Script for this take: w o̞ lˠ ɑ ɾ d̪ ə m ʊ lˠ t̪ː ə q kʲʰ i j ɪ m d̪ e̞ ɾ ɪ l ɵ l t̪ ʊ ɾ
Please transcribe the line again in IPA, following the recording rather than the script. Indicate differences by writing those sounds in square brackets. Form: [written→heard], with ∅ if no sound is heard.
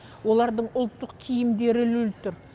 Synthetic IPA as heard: w o̞ lˠ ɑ ɾ d̪ ə [m→ɴ] ʊ lˠ t̪ː ə q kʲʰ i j ɪ m d̪ e̞ ɾ ɪ l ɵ l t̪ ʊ ɾ